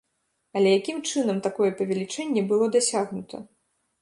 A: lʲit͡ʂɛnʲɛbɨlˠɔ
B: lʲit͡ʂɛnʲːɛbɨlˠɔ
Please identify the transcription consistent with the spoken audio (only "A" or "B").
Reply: B